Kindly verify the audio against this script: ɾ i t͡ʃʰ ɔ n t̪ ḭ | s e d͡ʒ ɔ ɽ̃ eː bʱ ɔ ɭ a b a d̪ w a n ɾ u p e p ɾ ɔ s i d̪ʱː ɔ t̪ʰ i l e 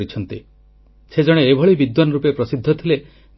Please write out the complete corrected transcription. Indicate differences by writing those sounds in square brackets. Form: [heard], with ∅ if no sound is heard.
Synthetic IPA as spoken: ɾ i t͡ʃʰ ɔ n t̪ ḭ | s e d͡ʒ ɔ ɽ̃ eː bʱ ɔ ɭ [i] b [i] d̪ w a n ɾ u p e p ɾ ɔ s i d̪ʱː ɔ t̪ʰ i l e